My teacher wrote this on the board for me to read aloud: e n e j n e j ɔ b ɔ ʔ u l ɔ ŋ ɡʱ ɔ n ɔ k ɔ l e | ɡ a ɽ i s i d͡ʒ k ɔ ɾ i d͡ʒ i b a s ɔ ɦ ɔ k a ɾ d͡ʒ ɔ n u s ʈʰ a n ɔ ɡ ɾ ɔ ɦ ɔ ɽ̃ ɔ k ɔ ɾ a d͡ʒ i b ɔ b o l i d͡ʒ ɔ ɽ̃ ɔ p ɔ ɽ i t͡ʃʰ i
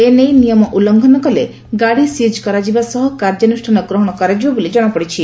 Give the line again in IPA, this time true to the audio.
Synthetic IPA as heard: e n e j n i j ɔ m ɔ ʔ u l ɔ ŋ ɡʱ ɔ n ɔ k ɔ l e | ɡ a ɽ i s i d͡ʒ k ɔ ɾ a d͡ʒ i b a s ɔ ɦ ɔ k a ɾ d͡ʒ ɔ n u s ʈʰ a n ɔ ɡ ɾ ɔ ɦ ɔ ɽ̃ ɔ k ɔ ɾ a d͡ʒ i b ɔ b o l i d͡ʒ ɔ ɽ̃ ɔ p ɔ ɽ i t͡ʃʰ i

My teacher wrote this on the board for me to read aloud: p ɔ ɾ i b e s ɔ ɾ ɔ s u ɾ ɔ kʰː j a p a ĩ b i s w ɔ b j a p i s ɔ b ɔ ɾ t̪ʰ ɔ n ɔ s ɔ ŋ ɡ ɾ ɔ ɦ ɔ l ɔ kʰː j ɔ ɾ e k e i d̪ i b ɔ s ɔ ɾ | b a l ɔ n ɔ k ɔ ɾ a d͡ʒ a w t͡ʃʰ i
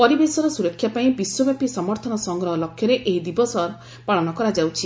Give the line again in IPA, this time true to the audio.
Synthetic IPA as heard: p ɔ ɾ i b e s ɔ ɾ ɔ s u ɾ ɔ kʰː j a p a ĩ b i s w ɔ b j a p i s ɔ m ɔ ɾ t̪ʰ ɔ n ɔ s ɔ ŋ ɡ ɾ ɔ ɦ ɔ l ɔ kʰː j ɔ ɾ e ʔ e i d̪ i b ɔ s ɔ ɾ | p a ɭ ɔ n ɔ k ɔ ɾ a d͡ʒ a w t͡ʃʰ i

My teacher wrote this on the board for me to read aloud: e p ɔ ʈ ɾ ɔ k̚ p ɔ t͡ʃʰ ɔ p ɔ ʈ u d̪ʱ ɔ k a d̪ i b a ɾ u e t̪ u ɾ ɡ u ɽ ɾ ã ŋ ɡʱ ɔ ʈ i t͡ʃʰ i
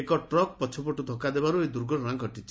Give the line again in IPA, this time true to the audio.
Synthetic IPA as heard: e k ɔ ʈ ɾ ɔ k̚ p ɔ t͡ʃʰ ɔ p ɔ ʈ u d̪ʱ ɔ k a d̪ e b a ɾ u e d̪ u ɾ ɡ ɔ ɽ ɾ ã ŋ ɡʱ ɔ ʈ i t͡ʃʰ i

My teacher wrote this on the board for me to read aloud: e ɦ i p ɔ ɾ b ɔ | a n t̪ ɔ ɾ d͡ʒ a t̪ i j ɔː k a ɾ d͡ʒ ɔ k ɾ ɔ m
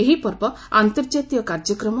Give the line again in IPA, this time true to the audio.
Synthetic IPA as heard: e ɦ i p ɔ ɾ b ɔ | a n t̪ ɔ ɾ d͡ʒ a t̪ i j ɔ k a ɾ d͡ʒ ɔ k ɾ ɔ m

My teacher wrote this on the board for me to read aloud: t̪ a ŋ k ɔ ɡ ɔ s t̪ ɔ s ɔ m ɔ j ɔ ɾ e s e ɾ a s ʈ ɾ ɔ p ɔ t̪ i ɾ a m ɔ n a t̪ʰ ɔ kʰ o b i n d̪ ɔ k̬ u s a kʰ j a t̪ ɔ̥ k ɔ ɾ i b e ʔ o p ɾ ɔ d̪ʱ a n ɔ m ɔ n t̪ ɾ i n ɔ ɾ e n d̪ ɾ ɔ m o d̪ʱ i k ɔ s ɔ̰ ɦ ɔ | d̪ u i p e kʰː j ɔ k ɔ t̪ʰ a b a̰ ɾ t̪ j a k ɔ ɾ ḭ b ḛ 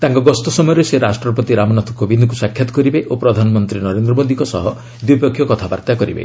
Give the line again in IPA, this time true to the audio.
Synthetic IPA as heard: t̪ a ŋ k ɔ ɡ ɔ s t̪ ɔ s ɔ m ɔ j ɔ ɾ e s e ɾ a s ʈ ɾ ɔ p ɔ t̪ i ɾ a m ɔ n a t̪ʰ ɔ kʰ o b i n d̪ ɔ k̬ u s a kʰ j a t̪ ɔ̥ k ɔ ɾ i b e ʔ o p ɾ ɔ d̪ʱ a n ɔ m ɔ n t̪ ɾ i n ɔ ɾ e n d̪ ɾ ɔ m o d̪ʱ i k ɔ s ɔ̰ ɦ ɔ | d̪ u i p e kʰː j ɔ k ɔ t̪ʰ a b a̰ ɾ t̪ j a k ɔ ɾ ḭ b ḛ

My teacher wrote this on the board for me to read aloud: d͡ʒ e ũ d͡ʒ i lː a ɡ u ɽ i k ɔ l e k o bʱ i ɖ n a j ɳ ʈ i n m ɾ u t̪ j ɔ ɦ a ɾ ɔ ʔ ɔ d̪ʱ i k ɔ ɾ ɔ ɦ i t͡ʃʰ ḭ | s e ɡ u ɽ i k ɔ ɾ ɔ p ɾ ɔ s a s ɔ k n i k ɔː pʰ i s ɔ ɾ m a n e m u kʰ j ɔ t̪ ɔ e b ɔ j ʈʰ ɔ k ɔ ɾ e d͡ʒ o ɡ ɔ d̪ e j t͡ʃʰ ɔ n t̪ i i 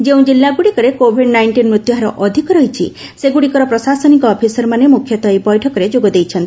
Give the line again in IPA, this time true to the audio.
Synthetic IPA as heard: d͡ʒ e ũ d͡ʒ i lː a ɡ u ɽ i k ɔ ɾ e k o bʱ i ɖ n a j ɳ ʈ i n m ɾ u t̪ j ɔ ɦ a ɾ ɔ ʔ ɔ d̪ʱ i k ɔ ɾ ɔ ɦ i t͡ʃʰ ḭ | s e ɡ u ɽ i k ɔ ɾ ɔ p ɾ ɔ s a s ɔ n i k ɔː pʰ i s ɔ ɾ m a n e m u kʰ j ɔ t̪ ɔ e b ɔ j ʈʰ ɔ k ɔ ɾ e d͡ʒ o ɡ ɔ d̪ e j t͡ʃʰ ɔ n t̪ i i

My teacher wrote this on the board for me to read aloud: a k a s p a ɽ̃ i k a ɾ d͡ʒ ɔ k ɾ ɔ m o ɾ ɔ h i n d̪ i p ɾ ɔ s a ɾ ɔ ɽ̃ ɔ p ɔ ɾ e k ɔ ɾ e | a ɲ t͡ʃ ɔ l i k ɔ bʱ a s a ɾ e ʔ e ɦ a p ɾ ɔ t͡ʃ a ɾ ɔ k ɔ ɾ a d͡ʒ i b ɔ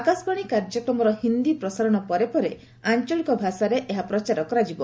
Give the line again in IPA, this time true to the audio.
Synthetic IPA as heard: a k a s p a ɽ̃ i k a ɾ d͡ʒ ɔ k ɾ ɔ m ɔ ɾ ɔ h i n d̪ i p ɾ ɔ s a ɾ ɔ ɽ̃ ɔ p ɔ ɾ e p ɔ ɾ e | a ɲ t͡ʃ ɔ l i k ɔ bʱ a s a ɾ e ʔ e ɦ a p ɾ ɔ t͡ʃ a ɾ ɔ k ɔ ɾ a d͡ʒ i b ɔ

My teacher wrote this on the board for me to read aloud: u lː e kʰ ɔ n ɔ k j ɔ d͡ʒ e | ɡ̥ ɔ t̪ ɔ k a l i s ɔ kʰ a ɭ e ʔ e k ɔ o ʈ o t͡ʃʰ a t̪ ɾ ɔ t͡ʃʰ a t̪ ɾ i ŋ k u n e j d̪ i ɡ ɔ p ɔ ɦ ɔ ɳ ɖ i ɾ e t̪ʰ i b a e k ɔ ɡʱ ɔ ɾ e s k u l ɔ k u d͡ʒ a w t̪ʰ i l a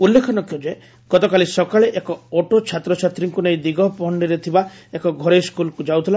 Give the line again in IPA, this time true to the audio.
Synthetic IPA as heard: u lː e kʰ ɔ n ɔ k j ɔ d͡ʒ e | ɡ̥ ɔ t̪ ɔ k a l i s ɔ k a ɭ e ʔ e k ɔ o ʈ o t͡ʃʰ a t̪ ɾ ɔ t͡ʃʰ a t̪ ɾ i ŋ k u n e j d̪ i ɡ ɔ p ɔ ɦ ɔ ɳ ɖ i ɾ e t̪ʰ i b a e k ɔ ɡʱ ɔ ɾ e s k u l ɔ k u d͡ʒ a w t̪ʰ i l a

